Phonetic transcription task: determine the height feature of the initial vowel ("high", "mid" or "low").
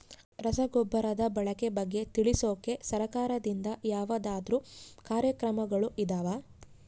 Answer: low